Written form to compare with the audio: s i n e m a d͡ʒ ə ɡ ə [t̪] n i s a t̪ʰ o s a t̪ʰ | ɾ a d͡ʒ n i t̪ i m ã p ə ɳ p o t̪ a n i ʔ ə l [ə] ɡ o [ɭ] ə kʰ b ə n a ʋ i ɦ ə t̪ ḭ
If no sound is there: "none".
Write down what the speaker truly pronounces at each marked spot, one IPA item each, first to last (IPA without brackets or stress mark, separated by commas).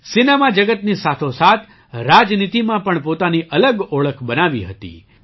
t̪, ə, ɭ